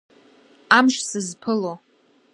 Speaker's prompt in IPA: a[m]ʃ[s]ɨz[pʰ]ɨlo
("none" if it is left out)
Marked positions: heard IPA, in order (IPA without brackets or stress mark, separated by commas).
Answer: m, s, pʰ